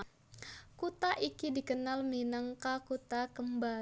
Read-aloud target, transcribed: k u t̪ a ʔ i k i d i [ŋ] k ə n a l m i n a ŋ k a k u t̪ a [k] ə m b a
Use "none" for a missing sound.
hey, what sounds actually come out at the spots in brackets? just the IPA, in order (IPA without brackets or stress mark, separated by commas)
none, k